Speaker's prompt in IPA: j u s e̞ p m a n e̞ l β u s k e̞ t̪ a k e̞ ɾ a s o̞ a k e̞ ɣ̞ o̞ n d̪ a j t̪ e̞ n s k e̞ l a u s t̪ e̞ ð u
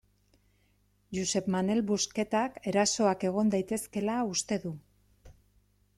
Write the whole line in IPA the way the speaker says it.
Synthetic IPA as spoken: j u s e̞ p m a n e̞ l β u s k e̞ t̪ a k e̞ ɾ a s o̞ a k e̞ ɣ̞ o̞ n d̪ a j t̪ e̞ s k e̞ l a u s t̪ e̞ ð u